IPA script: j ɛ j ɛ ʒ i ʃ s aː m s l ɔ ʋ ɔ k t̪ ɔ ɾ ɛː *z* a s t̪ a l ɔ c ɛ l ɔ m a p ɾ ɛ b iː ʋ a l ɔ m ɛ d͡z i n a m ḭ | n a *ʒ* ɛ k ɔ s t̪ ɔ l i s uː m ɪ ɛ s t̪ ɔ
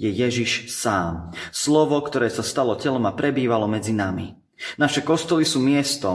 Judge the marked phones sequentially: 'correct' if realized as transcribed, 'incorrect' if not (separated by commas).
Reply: incorrect, incorrect